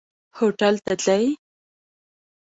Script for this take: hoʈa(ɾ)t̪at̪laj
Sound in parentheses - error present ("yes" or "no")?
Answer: yes